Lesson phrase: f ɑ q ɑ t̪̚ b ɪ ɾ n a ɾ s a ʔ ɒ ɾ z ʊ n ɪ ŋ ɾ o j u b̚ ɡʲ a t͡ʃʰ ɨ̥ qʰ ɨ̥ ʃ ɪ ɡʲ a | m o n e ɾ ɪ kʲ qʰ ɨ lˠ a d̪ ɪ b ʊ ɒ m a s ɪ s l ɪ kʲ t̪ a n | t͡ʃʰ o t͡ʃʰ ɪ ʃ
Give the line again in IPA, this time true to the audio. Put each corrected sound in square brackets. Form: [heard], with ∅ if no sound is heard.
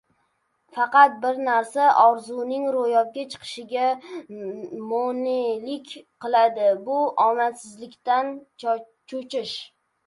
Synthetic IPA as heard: f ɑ q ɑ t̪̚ b ɪ ɾ n a ɾ s a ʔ ɒ ɾ z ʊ n ɪ ŋ ɾ o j [ɒ] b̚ ɡʲ a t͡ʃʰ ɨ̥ qʰ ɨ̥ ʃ ɪ ɡʲ a | m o n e [l] ɪ kʲ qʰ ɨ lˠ a d̪ ɪ b ʊ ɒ m a s ɪ [z] l ɪ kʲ t̪ a n | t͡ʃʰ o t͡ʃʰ ɪ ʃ